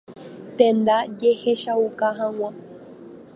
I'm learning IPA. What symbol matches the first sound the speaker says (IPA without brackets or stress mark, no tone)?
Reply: t̪